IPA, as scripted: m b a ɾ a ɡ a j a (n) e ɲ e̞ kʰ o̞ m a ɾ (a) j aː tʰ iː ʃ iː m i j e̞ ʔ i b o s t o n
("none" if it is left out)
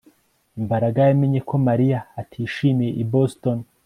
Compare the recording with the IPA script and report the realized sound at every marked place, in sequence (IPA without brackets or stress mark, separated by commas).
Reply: m, i